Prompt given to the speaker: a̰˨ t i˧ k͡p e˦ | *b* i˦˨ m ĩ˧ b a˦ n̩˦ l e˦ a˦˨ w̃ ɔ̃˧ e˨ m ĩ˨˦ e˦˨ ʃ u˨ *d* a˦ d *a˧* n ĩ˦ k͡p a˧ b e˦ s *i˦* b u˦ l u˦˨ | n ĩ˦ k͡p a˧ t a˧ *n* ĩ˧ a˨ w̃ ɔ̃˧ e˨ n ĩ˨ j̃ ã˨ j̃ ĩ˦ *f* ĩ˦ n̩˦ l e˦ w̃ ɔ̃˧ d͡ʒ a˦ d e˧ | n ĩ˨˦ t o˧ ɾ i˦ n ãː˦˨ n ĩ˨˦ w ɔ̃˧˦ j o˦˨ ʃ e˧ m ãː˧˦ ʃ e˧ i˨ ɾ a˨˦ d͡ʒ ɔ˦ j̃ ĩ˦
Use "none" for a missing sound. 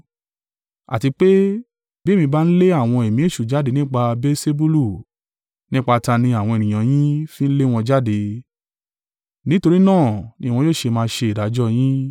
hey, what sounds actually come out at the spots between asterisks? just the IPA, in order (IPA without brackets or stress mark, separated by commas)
b, d͡ʒ, e˧, e˦, n, f